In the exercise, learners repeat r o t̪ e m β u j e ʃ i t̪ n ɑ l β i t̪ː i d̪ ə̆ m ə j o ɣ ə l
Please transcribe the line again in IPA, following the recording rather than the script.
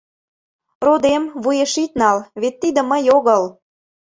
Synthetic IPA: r o d̪ e m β u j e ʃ i t̪ n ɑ l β e t̪ː i d̪ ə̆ m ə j o ɣ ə l